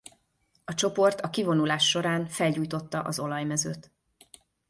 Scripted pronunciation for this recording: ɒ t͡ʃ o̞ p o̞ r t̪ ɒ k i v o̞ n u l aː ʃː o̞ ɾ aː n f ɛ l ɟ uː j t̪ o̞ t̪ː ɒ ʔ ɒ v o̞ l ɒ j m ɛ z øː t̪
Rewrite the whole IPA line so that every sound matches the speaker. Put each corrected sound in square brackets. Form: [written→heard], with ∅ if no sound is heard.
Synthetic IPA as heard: ɒ t͡ʃ o̞ p o̞ r t̪ ɒ k i v o̞ n u l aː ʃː o̞ ɾ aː n f ɛ l ɟ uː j t̪ o̞ t̪ː ɒ ʔ ɒ [v→z] o̞ l ɒ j m ɛ z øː t̪